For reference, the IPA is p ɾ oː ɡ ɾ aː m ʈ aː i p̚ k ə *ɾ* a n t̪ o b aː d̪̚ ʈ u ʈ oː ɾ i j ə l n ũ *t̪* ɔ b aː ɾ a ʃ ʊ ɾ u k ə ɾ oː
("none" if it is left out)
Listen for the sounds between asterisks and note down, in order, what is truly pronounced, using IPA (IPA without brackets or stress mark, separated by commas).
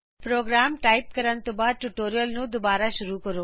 ɾ, d̪